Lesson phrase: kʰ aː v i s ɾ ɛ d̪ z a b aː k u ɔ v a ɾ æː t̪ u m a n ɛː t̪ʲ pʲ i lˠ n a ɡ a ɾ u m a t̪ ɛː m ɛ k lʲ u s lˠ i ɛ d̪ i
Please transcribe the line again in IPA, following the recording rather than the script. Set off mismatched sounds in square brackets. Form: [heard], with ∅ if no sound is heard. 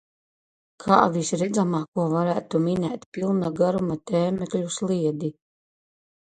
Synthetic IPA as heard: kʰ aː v i s ɾ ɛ d̪ z a [m] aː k u ɔ v a ɾ æː t̪ u m [i] n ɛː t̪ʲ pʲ i lˠ n a ɡ a ɾ u m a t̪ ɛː m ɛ k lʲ u s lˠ i ɛ d̪ i